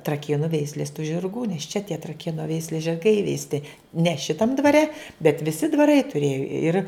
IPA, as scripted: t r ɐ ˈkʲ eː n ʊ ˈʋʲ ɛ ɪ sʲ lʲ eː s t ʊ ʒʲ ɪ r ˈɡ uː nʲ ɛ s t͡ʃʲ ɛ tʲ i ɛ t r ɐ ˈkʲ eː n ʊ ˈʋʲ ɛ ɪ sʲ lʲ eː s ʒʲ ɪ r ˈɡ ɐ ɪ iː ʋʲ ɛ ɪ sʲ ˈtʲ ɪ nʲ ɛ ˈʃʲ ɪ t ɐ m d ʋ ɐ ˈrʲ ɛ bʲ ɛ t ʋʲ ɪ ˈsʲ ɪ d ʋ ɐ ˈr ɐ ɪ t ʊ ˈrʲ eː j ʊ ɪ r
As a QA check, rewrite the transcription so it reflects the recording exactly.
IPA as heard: t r ɐ ˈkʲ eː n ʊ ˈʋʲ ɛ ɪ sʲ lʲ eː s t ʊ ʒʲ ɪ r ˈɡ uː nʲ ɛ s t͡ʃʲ ɛ tʲ i ɛ t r ɐ ˈkʲ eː n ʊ ˈʋʲ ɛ ɪ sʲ lʲ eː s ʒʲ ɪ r ˈɡ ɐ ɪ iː ʋʲ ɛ ɪ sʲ ˈtʲ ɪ nʲ ɛ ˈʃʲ ɪ t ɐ m d ʋ ɐ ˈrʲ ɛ bʲ ɛ t ʋʲ ɪ ˈsʲ ɪ d ʋ ɐ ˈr ɐ ɪ t ʊ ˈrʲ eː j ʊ ɪ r

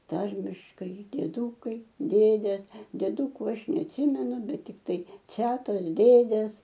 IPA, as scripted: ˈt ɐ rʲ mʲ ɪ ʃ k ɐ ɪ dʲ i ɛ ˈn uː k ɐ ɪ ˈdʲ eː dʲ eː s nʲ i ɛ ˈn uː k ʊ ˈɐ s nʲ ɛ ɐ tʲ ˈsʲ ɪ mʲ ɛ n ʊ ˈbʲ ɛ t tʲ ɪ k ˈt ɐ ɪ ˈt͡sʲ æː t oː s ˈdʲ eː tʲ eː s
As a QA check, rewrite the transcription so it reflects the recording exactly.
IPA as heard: ˈt ɐ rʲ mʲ ɪ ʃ k ɐ ɪ dʲ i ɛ ˈd uː k ɐ ɪ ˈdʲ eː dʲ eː s dʲ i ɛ ˈd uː k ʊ ˈɐ ʃ nʲ ɛ ɐ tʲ ˈsʲ ɪ mʲ ɛ n ʊ ˈbʲ ɛ t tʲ ɪ k ˈt ɐ ɪ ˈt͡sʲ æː t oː s ˈdʲ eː dʲ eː s

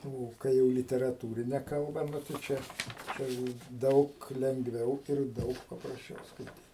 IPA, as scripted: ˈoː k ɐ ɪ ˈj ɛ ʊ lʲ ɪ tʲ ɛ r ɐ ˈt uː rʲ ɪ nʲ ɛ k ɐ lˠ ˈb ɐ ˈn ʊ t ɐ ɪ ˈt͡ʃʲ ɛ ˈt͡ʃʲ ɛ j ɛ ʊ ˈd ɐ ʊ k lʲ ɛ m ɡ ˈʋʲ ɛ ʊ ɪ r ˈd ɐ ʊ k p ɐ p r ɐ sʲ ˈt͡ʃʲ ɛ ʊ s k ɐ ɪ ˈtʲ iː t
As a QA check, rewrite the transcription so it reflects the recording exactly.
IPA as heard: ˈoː k ɐ ɪ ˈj ɛ ʊ lʲ ɪ tʲ ɛ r ɐ ˈt uː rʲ ɪ nʲ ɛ k ɐ lˠ ˈb ɐ ˈn ʊ t ɐ ɪ ˈt͡ʃʲ ɛ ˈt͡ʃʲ ɛ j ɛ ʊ ˈd ɐ ʊ k lʲ ɛ ŋ ɡ ˈʋʲ ɛ ʊ ɪ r ˈd ɐ ʊ k p ɐ p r ɐ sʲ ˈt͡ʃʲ ɛ ʊ s k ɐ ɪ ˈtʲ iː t

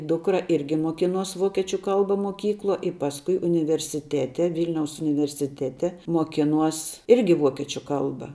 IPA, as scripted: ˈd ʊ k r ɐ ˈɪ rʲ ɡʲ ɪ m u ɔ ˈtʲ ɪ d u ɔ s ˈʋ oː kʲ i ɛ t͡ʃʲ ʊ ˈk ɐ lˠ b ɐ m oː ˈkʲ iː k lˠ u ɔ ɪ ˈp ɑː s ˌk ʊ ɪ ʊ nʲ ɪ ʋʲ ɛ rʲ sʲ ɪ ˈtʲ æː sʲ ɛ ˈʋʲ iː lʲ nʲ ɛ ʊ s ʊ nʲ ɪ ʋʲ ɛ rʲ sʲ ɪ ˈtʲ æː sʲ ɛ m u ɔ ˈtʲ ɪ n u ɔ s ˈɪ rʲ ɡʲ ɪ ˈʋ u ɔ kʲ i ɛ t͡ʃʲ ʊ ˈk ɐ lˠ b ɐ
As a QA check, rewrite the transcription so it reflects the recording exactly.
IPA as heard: ˈd ʊ k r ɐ ˈɪ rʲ ɡʲ ɪ m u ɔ ˈkʲ ɪ n u ɔ s ˈʋ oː kʲ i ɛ t͡ʃʲ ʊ ˈk ɐ lˠ b ɐ m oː ˈkʲ iː k lˠ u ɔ ɪ ˈp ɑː s ˌk ʊ ɪ ʊ nʲ ɪ ʋʲ ɛ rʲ sʲ ɪ ˈtʲ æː tʲ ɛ ˈʋʲ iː lʲ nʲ ɛ ʊ s ʊ nʲ ɪ ʋʲ ɛ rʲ sʲ ɪ ˈtʲ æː tʲ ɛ m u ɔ ˈkʲ ɪ n u ɔ s ˈɪ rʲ ɡʲ ɪ ˈʋ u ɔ kʲ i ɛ t͡ʃʲ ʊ ˈk ɐ lˠ b ɐ

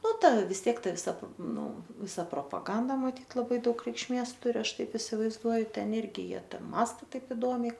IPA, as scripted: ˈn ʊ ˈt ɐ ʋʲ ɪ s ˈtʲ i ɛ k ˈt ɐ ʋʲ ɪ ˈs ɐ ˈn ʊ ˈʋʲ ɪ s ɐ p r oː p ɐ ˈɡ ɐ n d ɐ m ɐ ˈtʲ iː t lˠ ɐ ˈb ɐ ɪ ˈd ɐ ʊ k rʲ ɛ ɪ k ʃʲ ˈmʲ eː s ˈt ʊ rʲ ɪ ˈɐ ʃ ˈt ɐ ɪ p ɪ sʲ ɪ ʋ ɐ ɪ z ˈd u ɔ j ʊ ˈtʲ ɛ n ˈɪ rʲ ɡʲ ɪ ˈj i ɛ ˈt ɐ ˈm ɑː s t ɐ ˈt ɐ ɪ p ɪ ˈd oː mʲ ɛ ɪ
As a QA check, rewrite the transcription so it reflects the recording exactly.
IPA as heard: ˈn ʊ ˈt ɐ ʋʲ ɪ s ˈtʲ i ɛ k ˈt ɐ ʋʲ ɪ ˈs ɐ ˈn ʊ ˈʋʲ ɪ s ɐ p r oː p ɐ ˈɡ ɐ n d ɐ m ɐ ˈtʲ iː t lˠ ɐ ˈb ɐ ɪ ˈd ɐ ʊ k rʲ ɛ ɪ k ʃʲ ˈmʲ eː s ˈt ʊ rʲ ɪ ˈɐ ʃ ˈt ɐ ɪ p ɪ sʲ ɪ ʋ ɐ ɪ z ˈd u ɔ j ʊ ˈtʲ ɛ n ˈɪ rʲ ɡʲ ɪ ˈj i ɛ ˈt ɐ ˈm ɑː s t ɐ ˈt ɐ ɪ p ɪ ˈd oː mʲ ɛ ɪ

